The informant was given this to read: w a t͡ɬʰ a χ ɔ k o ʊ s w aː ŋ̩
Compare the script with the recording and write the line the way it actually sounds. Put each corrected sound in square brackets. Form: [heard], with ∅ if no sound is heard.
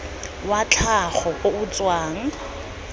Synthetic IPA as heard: w a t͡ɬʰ a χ ɔ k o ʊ [t͡s] w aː ŋ̩